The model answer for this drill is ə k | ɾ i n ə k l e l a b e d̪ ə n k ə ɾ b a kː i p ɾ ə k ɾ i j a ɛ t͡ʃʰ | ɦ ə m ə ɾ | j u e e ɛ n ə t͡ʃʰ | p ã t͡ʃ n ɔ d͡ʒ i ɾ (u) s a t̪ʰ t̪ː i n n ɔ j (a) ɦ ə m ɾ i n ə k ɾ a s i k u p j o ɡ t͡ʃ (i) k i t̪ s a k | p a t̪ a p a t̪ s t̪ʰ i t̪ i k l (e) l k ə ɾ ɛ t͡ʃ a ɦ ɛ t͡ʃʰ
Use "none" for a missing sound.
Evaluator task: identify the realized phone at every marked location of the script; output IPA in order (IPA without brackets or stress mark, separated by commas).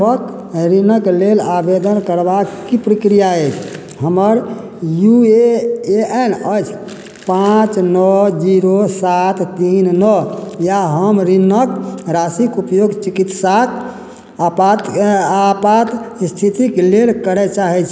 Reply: o, a, i, e